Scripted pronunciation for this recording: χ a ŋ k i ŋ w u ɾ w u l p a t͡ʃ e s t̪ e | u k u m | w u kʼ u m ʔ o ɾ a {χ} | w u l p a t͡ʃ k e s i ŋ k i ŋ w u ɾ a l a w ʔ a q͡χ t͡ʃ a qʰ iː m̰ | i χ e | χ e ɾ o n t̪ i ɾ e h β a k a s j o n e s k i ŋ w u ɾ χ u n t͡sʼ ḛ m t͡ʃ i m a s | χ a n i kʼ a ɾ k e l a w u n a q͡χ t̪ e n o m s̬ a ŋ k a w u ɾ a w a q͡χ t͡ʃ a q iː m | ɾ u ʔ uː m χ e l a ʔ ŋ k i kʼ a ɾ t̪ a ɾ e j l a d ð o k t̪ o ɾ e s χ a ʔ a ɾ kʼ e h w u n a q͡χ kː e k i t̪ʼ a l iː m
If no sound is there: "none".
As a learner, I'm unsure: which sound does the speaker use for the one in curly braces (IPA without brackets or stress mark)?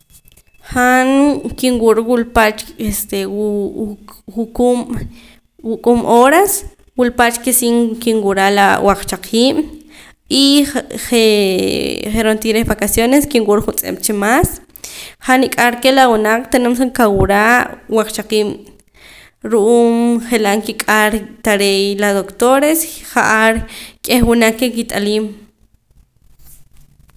s